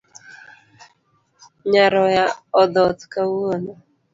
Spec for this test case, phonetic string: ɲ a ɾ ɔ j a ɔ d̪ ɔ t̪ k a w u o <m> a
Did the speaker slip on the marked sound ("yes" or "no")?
yes